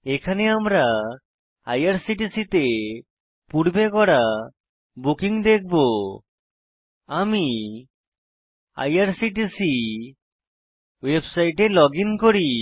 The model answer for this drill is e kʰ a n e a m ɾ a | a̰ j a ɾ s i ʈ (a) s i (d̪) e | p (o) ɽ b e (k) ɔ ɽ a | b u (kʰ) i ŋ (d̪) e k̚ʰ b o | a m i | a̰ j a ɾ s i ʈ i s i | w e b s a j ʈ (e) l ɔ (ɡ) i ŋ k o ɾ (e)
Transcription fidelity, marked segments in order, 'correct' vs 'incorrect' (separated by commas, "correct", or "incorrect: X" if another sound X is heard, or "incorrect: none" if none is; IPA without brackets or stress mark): incorrect: i, incorrect: t̪, incorrect: u, correct, incorrect: k, correct, correct, correct, incorrect: i